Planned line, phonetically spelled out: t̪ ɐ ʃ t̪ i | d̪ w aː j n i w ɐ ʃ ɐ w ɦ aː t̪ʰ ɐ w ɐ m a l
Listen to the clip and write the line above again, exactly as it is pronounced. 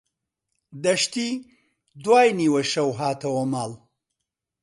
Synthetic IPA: d̪ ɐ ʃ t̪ i | d̪ w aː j n i w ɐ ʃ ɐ w ɦ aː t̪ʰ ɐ w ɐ m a l